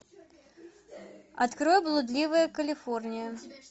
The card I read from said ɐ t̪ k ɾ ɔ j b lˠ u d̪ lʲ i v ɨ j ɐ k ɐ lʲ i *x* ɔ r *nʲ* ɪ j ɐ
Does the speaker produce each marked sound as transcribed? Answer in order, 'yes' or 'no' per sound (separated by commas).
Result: no, yes